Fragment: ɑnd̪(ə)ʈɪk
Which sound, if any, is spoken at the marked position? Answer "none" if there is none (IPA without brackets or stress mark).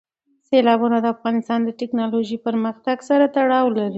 ə